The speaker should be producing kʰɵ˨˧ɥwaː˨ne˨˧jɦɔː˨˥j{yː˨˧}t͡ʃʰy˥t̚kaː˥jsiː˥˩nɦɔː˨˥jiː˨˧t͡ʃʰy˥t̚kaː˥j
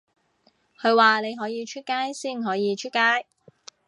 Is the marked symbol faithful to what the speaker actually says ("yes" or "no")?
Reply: no